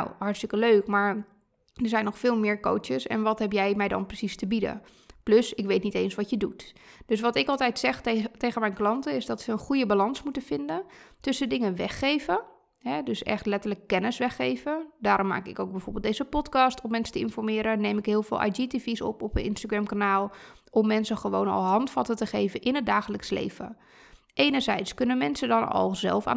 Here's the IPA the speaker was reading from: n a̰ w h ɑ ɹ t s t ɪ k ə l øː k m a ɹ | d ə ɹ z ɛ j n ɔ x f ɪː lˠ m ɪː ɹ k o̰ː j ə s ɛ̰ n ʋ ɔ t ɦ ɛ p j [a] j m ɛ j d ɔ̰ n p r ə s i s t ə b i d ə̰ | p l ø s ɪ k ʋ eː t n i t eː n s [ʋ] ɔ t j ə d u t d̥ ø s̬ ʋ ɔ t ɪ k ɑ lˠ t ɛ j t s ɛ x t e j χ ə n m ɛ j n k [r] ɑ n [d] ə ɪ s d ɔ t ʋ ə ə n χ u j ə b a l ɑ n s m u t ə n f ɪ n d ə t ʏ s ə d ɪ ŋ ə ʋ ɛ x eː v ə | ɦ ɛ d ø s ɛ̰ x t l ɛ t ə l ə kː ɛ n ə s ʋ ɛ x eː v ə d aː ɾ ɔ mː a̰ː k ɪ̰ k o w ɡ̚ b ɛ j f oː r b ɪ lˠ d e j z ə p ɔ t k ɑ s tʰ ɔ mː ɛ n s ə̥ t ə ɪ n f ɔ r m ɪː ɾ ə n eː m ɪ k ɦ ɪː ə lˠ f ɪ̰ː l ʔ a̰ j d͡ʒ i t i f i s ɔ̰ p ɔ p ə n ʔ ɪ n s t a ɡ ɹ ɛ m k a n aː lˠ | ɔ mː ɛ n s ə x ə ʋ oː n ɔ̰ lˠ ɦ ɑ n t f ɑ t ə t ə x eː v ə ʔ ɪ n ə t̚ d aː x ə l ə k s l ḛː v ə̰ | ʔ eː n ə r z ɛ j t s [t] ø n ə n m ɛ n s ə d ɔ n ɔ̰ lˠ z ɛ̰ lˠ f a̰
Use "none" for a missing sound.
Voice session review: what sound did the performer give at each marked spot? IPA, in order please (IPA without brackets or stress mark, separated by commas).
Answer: ɛ, ʋ, l, t, k